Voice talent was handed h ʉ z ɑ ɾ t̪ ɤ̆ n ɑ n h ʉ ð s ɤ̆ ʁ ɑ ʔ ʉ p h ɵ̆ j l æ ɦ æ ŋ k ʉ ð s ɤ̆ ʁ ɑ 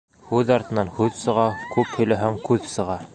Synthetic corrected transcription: h ʉ ð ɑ ɾ t̪ ɤ̆ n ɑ n h ʉ ð s ɤ̆ ʁ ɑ k ʉ p h ɵ̆ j l æ ɦ æ ŋ k ʉ ð s ɤ̆ ʁ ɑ